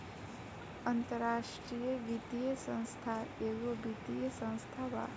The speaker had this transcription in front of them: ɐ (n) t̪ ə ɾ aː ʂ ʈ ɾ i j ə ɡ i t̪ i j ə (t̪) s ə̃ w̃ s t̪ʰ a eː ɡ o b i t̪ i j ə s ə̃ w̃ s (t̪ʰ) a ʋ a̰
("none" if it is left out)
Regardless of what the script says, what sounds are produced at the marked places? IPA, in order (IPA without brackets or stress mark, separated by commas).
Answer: n, none, t̪ʰ